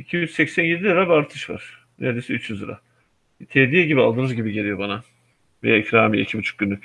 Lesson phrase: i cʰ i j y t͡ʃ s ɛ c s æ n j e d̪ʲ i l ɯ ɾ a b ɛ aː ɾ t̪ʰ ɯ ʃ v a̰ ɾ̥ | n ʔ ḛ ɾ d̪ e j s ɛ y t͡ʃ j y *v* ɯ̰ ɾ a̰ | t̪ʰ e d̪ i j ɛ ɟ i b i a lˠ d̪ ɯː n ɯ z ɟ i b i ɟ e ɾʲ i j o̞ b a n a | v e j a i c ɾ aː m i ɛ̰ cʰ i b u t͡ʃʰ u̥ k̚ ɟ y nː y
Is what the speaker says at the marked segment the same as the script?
no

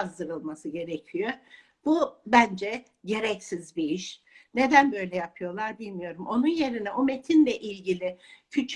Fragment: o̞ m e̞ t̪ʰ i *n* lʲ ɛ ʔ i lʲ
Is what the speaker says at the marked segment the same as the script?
yes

